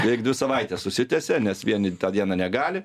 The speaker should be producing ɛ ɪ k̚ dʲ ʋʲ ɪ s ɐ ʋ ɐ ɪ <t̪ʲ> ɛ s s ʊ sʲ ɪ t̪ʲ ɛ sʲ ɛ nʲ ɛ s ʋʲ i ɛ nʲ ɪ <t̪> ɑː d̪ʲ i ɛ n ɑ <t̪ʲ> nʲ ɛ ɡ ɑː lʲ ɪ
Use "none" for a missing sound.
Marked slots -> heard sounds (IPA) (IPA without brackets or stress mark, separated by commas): t̪ʲ, t̪, none